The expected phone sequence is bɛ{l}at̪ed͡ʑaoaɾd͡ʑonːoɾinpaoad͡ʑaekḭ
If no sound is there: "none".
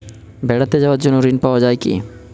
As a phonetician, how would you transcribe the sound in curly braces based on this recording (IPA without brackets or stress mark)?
ɽ